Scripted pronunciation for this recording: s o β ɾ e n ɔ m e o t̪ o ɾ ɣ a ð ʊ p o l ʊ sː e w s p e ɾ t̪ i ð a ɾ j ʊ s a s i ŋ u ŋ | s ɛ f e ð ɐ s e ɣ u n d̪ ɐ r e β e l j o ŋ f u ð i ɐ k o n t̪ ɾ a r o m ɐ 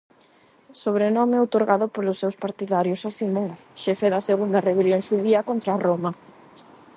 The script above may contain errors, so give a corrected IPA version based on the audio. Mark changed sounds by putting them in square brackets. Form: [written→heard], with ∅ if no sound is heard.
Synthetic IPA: s o β ɾ e n ɔ m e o t̪ o ɾ ɣ a ð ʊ p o l ʊ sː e w s p [e→a] ɾ t̪ i ð a ɾ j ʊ s a s i [ŋ→m] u ŋ | [s→ʃ] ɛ f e ð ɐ s e ɣ u n d̪ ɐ r e β e l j o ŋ [f→ʃ] u ð i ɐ k o n t̪ ɾ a r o m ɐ